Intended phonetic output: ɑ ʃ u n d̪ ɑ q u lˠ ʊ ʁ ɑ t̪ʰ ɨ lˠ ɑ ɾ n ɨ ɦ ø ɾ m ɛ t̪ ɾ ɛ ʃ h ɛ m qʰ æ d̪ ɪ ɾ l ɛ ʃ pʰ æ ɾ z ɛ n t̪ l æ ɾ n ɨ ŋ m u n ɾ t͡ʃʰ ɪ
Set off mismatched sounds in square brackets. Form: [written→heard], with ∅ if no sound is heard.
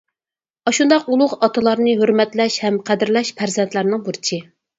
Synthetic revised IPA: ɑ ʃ u n d̪ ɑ q u lˠ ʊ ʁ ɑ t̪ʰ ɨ lˠ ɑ ɾ n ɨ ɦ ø ɾ m ɛ t̪ [ɾ→l] ɛ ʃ h ɛ m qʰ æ d̪ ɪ ɾ l ɛ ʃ pʰ æ ɾ z ɛ n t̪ l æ ɾ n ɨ ŋ [m→b] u [n→∅] ɾ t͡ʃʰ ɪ